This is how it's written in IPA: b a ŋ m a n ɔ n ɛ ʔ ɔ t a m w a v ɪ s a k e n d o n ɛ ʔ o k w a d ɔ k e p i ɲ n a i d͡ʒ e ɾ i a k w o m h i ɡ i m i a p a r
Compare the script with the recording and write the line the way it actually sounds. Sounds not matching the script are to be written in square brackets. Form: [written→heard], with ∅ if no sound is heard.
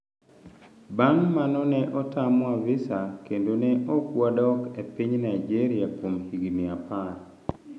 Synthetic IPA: b a ŋ m a n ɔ n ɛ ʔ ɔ t a m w a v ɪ s a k e n d o n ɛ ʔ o k w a d ɔ k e p i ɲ n a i d͡ʒ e ɾ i a k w o m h i ɡ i m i a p a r